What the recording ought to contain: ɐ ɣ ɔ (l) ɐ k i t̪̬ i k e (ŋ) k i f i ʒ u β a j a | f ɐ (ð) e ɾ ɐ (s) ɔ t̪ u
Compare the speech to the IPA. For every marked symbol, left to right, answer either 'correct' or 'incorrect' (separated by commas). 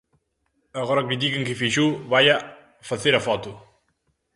incorrect, correct, incorrect, incorrect